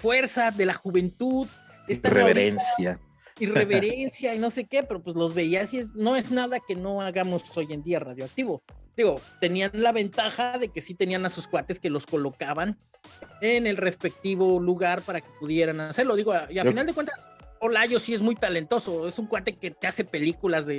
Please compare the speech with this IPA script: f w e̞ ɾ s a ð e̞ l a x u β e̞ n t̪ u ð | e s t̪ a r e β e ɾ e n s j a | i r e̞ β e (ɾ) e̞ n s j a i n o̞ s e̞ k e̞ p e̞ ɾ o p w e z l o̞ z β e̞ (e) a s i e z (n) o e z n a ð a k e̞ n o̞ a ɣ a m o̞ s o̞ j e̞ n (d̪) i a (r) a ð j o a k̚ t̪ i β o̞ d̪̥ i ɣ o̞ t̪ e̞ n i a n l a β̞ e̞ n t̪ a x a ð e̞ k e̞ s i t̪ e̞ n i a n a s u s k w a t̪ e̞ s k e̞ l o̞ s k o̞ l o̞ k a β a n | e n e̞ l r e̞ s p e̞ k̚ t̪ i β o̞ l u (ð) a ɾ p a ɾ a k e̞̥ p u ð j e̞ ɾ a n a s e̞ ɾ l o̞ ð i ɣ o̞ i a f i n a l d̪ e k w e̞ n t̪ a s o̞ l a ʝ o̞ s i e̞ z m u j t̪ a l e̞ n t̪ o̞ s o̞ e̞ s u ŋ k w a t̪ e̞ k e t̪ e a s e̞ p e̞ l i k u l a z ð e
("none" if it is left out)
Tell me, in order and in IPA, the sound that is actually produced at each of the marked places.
ɾ, i, n, d̪, r, ɣ

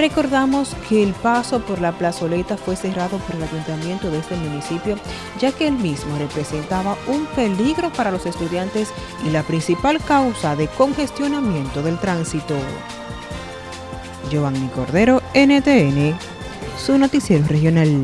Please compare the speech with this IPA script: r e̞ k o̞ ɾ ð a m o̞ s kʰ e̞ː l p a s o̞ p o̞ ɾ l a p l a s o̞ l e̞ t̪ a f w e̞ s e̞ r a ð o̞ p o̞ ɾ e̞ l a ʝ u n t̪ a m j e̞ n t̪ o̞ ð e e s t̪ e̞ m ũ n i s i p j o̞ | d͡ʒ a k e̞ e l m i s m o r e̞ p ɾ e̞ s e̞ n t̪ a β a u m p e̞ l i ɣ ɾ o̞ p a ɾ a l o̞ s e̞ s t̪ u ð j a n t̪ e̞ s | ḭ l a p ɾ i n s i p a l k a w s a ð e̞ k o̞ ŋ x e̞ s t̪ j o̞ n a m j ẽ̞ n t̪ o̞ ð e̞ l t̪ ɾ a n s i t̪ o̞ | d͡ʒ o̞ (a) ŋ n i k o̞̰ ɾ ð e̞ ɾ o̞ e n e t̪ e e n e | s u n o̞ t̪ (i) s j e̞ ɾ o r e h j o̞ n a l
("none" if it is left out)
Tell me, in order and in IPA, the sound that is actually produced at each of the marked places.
a, i

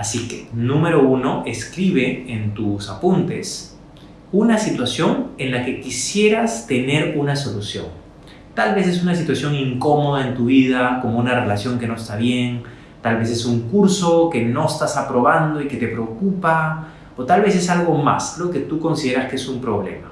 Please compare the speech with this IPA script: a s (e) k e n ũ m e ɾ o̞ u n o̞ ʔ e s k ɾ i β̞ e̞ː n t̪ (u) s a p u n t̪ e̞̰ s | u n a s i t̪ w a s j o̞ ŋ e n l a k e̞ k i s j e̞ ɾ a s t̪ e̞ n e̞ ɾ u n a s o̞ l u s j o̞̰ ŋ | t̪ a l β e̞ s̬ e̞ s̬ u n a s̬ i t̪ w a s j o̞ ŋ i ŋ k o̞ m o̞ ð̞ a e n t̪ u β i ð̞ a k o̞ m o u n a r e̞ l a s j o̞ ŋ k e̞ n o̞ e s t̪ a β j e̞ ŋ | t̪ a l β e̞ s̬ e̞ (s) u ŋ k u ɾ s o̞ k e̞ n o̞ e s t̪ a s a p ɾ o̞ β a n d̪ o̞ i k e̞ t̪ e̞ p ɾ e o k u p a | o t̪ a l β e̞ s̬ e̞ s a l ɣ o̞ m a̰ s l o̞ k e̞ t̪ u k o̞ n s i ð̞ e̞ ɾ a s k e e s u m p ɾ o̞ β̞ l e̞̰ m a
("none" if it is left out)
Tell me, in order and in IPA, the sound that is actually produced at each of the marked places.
i, u, s

